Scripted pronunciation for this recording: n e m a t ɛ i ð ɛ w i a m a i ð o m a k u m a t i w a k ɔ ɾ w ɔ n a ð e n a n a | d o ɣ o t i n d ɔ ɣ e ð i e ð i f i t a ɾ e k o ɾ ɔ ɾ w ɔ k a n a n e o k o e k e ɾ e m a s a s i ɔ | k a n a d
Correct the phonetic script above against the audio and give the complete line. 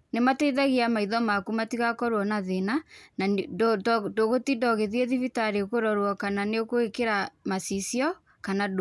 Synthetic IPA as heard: n e m a t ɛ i ð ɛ ɣ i a m a i ð ɔ m a k u m a t i ɣ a k ɔ ɾ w ɔ n a ð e n a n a | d o ɣ o t i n d ɔ ɣ e ð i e ð i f i t a ɾ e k o ɾ ɔ ɾ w ɔ k a n a n e o k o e k e ɾ a m a s i s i ɔ | k a n a d

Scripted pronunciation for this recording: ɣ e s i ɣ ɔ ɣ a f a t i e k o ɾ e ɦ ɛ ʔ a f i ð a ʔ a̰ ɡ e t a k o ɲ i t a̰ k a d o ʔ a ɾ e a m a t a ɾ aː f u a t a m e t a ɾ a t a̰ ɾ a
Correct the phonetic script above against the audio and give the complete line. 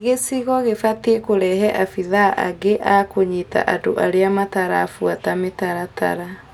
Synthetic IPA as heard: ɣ e s i ɣ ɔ ɣ e f a t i e k o ɾ ɛ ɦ ɛ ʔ a f i ð a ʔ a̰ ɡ e ʔ a k o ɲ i t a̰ ʔ a d o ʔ a ɾ e a m a t a ɾ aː f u a t a m e t a ɾ a t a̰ ɾ a

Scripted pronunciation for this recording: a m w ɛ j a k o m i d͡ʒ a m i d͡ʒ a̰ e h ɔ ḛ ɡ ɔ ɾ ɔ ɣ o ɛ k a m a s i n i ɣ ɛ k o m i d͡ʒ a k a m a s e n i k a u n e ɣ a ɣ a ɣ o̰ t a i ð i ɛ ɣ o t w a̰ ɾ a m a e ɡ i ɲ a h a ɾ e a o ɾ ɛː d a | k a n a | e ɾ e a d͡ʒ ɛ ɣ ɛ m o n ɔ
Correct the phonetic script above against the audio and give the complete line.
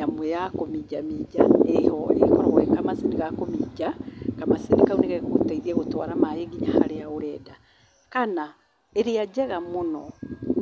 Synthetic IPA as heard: a m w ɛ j a k o m i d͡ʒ a m i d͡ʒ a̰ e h ɔ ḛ k ɔ ɾ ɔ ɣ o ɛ k a m a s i n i ɣ a k o m i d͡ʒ a k a m a s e n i k a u n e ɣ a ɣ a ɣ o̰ t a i ð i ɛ ɣ o t w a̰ ɾ a m a e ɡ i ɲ a h a ɾ e a o ɾ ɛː d a | k a n a | e ɾ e a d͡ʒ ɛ ɣ a m o n ɔ

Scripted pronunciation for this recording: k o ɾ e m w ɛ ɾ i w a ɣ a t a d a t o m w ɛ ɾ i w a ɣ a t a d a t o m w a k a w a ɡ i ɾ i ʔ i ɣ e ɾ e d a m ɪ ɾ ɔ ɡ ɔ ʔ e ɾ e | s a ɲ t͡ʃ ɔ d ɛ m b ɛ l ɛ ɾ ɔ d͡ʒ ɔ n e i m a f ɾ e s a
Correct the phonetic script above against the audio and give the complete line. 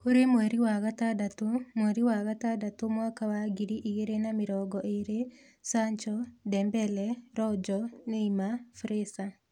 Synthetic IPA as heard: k o ɾ e m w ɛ ɾ i w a ɣ a t a d a t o m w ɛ ɾ i w a ɣ a t a d a t o m w a k a w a ɡ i ɾ i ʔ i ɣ e ɾ e n a m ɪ ɾ ɔ ɡ ɔ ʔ e ɾ e | s a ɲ t͡ʃ ɔ d ɛ m b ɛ l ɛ ɾ ɔ d͡ʒ ɔ n e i m a f ɾ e s a

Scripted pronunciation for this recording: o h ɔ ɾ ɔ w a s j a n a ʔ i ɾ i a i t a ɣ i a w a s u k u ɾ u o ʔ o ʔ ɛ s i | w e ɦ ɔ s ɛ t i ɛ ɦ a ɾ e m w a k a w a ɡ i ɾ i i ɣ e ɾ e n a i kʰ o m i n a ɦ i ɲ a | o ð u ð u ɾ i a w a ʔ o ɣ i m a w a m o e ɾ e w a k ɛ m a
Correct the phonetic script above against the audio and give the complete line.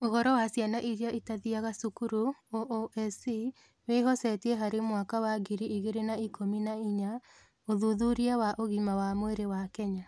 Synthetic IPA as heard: o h ɔ ɾ ɔ w a s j a n a ʔ i ɾ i a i t a ð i a ɣ a s u k u ɾ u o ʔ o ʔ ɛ s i | w e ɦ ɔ s ɛ t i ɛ ɦ a ɾ e m w a k a w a ɡ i ɾ i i ɣ e ɾ e n a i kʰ o m i n a i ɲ a | o ð u ð u ɾ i a w a ʔ o ɣ i m a w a m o e ɾ e w a k ɛ ɲ a

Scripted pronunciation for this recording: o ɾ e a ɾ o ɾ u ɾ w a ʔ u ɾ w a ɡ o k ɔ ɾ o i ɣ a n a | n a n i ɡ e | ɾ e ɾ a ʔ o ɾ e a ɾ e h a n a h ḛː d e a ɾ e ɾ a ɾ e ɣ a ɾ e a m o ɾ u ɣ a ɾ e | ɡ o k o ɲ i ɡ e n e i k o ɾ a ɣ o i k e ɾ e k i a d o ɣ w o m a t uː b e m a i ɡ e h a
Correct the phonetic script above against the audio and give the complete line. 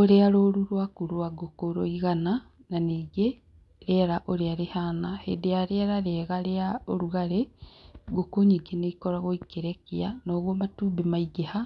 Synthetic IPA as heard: o ɾ e a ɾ o ɾ u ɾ w a k u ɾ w a ɡ o k o ɾ o i ɣ a n a | n a n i ɡ e | ɾ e ɾ a ʔ o ɾ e a ɾ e h a n a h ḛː d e a ɾ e ɾ a ɾ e ɣ a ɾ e a o ɾ u ɣ a ɾ e | ɡ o k o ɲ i ɡ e n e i k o ɾ a ɣ o i k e ɾ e k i a n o ɣ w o m a t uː b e m a i ɡ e h a

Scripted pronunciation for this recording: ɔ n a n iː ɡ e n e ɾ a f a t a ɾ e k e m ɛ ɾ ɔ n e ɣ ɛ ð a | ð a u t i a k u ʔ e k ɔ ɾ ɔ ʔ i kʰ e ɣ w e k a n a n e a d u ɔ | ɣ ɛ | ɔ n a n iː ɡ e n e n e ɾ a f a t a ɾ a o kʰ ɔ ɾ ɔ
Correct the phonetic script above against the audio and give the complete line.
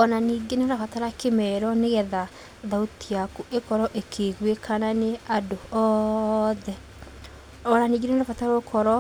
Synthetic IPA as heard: ɔ n a n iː ɡ e n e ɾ a f a t a ɾ a k e m ɛ ɾ ɔ n e ɣ ɛ ð a | ð a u t i a k u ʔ e k ɔ ɾ ɔ ʔ e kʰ e ɣ w e k a n a n e a d o ɔ | ð ɛ | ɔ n a n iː ɡ e n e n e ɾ a f a t a ɾ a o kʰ ɔ ɾ ɔ

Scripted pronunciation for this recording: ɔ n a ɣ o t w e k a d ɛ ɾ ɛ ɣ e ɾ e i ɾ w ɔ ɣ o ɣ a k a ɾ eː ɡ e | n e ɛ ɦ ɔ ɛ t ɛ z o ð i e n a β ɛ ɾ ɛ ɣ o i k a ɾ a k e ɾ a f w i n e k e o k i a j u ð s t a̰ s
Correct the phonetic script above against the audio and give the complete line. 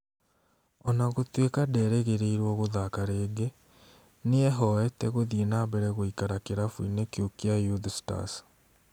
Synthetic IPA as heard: ɔ n a ɣ o t w e k a d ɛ ɾ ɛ ɣ e ɾ e i ɾ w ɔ ɣ o ð a k a ɾ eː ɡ e | n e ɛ ɦ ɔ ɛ t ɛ ɣ o ð i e n a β ɛ ɾ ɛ ɣ o i k a ɾ a k e ɾ a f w i n e k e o k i a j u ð s t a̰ s

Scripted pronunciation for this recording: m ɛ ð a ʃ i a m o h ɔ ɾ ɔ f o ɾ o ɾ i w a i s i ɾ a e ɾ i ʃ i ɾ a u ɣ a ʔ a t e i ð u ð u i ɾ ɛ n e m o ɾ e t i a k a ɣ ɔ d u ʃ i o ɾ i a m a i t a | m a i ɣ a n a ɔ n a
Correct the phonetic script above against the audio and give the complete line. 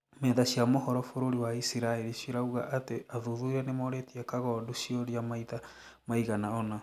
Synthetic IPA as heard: m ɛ ð a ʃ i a m o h ɔ ɾ ɔ f o ɾ o ɾ i w a i s i ɾ a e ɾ i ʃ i ɾ a u ɣ a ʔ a t e a ð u ð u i ɾ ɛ n e m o ɾ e t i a k a ɣ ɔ d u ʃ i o ɾ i a m a i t a | m a i ɣ a n a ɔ n a

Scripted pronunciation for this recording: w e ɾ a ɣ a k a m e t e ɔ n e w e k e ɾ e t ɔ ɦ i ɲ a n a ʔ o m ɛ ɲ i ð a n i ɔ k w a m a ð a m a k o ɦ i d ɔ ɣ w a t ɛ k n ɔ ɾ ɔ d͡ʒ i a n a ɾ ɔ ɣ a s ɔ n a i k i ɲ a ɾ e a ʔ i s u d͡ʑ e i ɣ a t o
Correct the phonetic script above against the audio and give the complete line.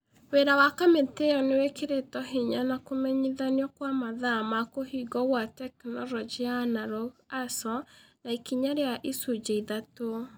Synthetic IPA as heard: w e ɾ a w a k a m e t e ɔ n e w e k e ɾ e t ɔ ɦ i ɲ a n a k o m ɛ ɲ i ð a n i ɔ k w a m a ð a m a k o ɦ i ɡ ɔ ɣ w a t ɛ k n ɔ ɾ ɔ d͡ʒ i a n a ɾ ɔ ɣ a s ɔ n a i k i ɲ a ɾ e a ʔ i s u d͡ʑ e i ð a t o

